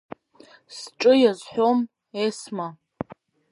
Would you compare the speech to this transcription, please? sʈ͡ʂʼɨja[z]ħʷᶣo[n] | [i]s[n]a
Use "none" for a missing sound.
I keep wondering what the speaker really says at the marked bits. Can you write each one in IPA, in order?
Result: z, m, e, m

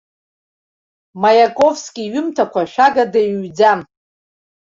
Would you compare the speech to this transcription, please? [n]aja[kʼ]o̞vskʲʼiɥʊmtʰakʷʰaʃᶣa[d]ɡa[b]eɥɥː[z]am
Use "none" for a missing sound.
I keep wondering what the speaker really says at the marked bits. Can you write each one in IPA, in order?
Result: m, kʼ, none, d, d͡z

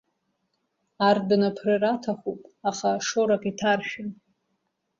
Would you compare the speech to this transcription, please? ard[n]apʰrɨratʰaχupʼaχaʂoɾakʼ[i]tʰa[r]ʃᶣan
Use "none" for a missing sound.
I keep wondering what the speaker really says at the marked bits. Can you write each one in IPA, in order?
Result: n, i, r

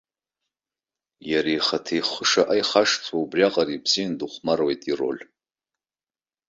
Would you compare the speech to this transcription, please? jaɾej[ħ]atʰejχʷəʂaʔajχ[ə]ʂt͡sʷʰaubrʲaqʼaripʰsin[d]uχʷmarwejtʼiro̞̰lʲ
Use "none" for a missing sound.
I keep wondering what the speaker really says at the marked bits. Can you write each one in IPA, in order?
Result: χ, a, d

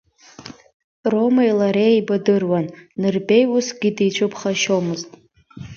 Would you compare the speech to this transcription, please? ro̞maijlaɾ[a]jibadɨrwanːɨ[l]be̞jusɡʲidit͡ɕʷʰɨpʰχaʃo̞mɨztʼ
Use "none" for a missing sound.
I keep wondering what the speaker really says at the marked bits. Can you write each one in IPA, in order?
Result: e, r

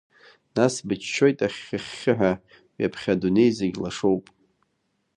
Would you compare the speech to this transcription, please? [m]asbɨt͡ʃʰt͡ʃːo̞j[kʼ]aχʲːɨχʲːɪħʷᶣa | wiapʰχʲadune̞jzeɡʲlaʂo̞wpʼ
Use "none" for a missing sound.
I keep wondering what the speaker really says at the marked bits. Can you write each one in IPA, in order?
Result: n, tʼ

